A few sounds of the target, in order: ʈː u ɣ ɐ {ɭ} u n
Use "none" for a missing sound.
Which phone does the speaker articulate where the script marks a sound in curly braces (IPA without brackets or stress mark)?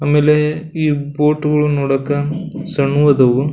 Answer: ɭ